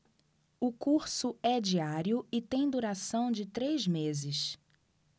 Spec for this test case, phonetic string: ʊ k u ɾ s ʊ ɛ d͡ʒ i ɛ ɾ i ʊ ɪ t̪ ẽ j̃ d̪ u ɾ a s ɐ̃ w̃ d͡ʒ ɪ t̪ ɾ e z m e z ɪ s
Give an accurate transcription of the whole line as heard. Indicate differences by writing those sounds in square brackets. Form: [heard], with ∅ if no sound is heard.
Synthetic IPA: ʊ k u ɾ s ʊ ɛ d͡ʒ i [a] ɾ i ʊ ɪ t̪ ẽ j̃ d̪ u ɾ a s ɐ̃ w̃ d͡ʒ ɪ t̪ ɾ e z m e z ɪ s